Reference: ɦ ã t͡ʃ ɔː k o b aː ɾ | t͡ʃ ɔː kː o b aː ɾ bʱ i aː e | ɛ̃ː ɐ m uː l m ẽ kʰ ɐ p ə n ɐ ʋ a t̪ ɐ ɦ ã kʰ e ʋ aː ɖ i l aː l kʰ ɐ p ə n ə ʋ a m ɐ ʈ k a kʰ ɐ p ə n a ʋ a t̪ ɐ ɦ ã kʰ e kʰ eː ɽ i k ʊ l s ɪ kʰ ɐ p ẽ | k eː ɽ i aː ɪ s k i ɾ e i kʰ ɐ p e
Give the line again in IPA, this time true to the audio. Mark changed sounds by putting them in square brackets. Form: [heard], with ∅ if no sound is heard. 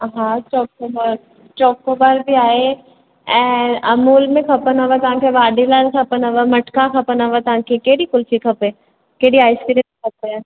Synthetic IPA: ɦ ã t͡ʃ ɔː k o b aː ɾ | t͡ʃ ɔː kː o b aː ɾ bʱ i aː e | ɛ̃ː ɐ m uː l m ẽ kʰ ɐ p ə n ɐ ʋ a t̪ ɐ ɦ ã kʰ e ʋ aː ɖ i l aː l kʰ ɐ p ə n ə ʋ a m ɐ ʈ k a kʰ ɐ p ə n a ʋ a t̪ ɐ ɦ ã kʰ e [k] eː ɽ i k ʊ l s [i] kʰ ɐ p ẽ | k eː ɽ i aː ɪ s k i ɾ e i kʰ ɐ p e